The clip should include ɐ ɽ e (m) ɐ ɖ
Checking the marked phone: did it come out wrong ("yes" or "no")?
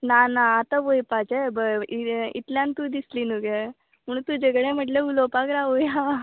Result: no